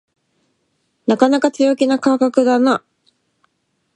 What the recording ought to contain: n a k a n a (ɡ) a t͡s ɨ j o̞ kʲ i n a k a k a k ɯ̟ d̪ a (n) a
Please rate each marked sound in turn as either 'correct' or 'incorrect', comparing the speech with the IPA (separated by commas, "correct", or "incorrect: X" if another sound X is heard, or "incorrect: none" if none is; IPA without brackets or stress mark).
incorrect: k, correct